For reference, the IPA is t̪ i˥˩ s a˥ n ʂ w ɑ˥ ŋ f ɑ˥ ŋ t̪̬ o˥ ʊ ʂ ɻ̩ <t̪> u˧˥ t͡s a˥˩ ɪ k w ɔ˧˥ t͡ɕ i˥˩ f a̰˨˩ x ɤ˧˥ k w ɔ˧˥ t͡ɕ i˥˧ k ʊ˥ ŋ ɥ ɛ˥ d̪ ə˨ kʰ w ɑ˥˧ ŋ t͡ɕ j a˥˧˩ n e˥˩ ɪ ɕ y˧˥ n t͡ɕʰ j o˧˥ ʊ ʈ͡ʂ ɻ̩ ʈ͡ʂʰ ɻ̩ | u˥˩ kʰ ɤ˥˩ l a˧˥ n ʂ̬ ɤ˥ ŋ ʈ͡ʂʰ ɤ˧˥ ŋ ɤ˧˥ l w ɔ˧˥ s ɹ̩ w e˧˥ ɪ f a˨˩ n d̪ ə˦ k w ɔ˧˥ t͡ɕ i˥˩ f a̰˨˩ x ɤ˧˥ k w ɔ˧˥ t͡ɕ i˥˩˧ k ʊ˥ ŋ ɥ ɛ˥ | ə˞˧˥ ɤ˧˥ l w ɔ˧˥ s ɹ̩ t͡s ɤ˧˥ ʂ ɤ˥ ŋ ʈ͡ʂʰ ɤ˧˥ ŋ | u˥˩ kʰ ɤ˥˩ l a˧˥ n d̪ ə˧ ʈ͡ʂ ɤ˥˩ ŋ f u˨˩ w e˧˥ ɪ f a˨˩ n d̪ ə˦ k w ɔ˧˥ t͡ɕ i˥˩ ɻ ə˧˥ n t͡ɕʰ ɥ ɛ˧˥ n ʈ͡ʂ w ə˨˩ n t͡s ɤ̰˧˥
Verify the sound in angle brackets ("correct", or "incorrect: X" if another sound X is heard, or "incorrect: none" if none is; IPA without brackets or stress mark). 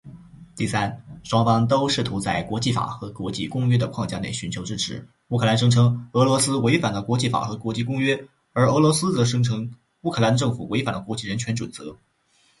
incorrect: t̪ʰ